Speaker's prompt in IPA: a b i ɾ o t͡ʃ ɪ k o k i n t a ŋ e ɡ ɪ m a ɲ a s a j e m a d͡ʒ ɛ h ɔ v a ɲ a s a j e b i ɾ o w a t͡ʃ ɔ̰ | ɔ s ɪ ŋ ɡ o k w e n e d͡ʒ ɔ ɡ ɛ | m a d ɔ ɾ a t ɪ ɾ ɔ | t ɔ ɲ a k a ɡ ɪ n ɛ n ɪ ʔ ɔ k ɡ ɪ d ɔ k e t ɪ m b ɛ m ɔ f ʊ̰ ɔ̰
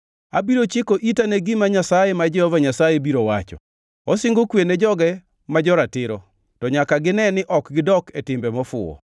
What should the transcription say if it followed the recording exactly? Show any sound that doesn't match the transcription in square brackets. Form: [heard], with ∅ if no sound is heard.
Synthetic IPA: a b i ɾ o t͡ʃ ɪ k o [ʔ] i [∅] t a [n] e ɡ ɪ m a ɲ a s a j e m a d͡ʒ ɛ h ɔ v a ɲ a s a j e b i ɾ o w a t͡ʃ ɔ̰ | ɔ s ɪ ŋ ɡ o k w e n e d͡ʒ ɔ ɡ ɛ | m a [d͡ʒ] ɔ ɾ a t ɪ ɾ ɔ | t ɔ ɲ a k a ɡ ɪ n ɛ n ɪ ʔ ɔ k ɡ ɪ d ɔ k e t ɪ m b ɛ m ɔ f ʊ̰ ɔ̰

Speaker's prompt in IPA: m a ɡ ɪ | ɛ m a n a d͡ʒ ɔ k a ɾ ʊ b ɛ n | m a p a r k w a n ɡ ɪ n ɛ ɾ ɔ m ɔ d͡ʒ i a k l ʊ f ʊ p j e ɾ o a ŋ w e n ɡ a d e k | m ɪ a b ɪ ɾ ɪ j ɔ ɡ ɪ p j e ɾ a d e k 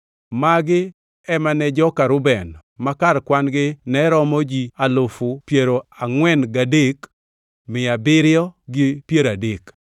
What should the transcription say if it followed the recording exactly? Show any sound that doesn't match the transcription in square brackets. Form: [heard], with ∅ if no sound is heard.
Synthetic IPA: m a ɡ ɪ | ɛ m a n [ɛ] d͡ʒ ɔ k a ɾ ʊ b ɛ n | m a [k] a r k w a n ɡ ɪ n ɛ ɾ ɔ m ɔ d͡ʒ i a [∅] l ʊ f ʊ p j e ɾ o a ŋ w [ɛ] n ɡ a d e k | m ɪ a b ɪ ɾ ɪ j ɔ ɡ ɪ p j e ɾ a d e k

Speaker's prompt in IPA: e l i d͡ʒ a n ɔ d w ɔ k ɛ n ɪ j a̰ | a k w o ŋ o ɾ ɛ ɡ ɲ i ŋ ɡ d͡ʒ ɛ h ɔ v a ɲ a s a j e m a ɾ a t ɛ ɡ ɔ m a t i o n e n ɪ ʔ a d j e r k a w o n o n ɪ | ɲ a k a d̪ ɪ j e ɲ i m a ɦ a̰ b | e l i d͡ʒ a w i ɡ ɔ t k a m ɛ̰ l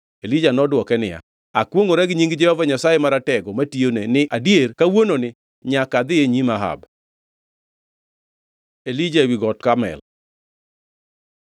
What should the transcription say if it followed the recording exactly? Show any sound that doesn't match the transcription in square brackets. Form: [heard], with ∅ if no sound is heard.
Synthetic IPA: e l i d͡ʒ a n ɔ d w ɔ k ɛ n ɪ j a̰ | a k w o ŋ o ɾ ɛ ɡ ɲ i ŋ ɡ d͡ʒ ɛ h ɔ v a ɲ a s a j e m a ɾ a t ɛ ɡ ɔ m a t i o n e n ɪ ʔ a d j e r k a w o n o n ɪ | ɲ a k a d̪ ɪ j e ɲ i m a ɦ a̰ b | e l i d͡ʒ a w i ɡ ɔ t k a m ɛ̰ l

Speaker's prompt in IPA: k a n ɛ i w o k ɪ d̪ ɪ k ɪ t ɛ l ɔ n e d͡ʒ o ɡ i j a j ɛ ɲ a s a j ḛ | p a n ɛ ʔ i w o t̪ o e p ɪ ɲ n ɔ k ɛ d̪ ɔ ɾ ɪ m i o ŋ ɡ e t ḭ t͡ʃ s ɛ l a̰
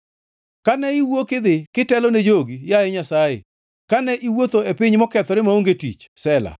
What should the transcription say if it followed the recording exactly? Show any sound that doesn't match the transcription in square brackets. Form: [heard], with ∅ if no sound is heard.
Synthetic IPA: k a n ɛ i w o k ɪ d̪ ɪ k ɪ t ɛ l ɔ n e d͡ʒ o ɡ i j a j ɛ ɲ a s a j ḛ | [k] a n ɛ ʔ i w o t̪ o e p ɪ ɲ [m] ɔ k ɛ [t̪] ɔ ɾ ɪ m [a] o ŋ ɡ e t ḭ t͡ʃ s ɛ l a̰

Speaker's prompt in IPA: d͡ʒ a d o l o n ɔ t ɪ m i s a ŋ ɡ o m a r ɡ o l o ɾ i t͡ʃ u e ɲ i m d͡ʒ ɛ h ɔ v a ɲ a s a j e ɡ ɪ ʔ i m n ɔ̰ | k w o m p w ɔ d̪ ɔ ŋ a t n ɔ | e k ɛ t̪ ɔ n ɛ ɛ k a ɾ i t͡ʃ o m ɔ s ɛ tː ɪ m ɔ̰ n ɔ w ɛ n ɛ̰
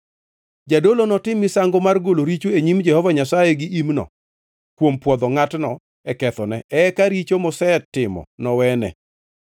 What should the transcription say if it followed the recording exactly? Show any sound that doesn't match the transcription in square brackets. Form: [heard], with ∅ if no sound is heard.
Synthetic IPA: d͡ʒ a d o l o n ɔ t ɪ m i s a ŋ ɡ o m a r ɡ o l o ɾ i t͡ʃ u e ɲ i m d͡ʒ ɛ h ɔ v a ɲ a s a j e ɡ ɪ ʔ i m n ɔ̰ | k w o m p w ɔ d̪ ɔ ŋ a t n ɔ | [ɛ] k ɛ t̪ ɔ n ɛ ɛ k a ɾ i t͡ʃ o m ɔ s ɛ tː ɪ m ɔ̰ n ɔ w ɛ n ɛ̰

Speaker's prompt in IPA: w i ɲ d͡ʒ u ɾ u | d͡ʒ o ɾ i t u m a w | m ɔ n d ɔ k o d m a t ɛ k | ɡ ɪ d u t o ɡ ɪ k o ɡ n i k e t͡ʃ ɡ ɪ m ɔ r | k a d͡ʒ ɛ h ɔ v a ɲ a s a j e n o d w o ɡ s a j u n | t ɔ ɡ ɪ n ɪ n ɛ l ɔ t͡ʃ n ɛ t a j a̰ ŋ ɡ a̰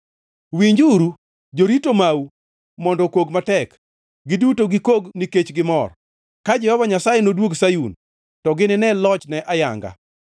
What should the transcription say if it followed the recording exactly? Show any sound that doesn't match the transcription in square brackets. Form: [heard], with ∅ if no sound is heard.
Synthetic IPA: w i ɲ d͡ʒ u ɾ u | d͡ʒ o ɾ i t [o] m a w | m ɔ n d ɔ k o [ɡ] m a t ɛ k | ɡ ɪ d u t o ɡ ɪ k o ɡ n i k e t͡ʃ ɡ ɪ m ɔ r | k a d͡ʒ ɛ h ɔ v a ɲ a s a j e n o d w o ɡ s a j u n | t ɔ ɡ ɪ n ɪ n ɛ l ɔ t͡ʃ n ɛ [ʔ] a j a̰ ŋ ɡ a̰

